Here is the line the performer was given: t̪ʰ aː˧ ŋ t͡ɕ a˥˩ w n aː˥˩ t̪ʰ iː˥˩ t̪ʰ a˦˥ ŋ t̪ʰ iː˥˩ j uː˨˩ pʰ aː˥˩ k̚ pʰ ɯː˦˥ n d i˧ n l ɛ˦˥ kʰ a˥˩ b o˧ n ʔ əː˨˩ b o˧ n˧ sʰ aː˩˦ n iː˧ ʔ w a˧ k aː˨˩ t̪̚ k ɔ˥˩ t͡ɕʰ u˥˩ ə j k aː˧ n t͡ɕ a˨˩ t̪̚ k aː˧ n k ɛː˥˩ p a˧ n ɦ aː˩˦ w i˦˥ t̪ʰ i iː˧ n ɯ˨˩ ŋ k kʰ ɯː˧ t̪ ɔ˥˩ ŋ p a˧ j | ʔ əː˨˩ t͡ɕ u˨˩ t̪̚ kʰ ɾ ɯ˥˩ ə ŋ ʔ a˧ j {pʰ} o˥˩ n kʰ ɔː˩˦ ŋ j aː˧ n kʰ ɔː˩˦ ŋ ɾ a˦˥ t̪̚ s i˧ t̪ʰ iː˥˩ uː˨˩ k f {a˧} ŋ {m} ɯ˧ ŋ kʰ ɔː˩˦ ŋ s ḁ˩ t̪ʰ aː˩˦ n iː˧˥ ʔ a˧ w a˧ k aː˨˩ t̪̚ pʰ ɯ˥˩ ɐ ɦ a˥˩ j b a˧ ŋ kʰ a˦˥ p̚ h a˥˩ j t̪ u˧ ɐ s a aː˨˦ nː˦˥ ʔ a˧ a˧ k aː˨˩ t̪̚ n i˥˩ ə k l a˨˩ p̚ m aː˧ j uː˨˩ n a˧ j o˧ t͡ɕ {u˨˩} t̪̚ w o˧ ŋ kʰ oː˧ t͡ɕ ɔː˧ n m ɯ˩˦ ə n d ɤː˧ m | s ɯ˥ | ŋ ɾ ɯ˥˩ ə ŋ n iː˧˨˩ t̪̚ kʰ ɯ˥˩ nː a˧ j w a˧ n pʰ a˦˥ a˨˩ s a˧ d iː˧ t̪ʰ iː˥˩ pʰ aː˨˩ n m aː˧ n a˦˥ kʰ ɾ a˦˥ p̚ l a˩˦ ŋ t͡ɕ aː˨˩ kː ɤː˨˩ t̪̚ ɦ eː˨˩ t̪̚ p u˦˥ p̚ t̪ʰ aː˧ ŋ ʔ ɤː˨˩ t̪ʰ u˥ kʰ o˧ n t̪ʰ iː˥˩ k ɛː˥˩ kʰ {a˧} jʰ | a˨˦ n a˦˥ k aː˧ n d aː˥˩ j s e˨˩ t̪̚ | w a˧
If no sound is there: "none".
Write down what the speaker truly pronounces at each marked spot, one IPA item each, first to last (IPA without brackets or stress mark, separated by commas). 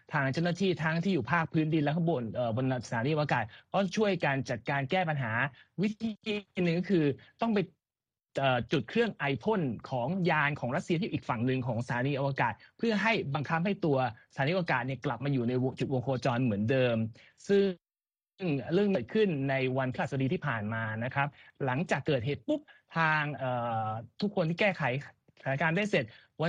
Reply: pʰ, a˨˩, n, u˨˩, a˩˦